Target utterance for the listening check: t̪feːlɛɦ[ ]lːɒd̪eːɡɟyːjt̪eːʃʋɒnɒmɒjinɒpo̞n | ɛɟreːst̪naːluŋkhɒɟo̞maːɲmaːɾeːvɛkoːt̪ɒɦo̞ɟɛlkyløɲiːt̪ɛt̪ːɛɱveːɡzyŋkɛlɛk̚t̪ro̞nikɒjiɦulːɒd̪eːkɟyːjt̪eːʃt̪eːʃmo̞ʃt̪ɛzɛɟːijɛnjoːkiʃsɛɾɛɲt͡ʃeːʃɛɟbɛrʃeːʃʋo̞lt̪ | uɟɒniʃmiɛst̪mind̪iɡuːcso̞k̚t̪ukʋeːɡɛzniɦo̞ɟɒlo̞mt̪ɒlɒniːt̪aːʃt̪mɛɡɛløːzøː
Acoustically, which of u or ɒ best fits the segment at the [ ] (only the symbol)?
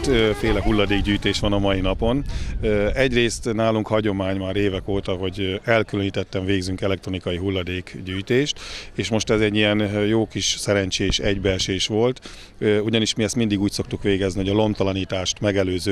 u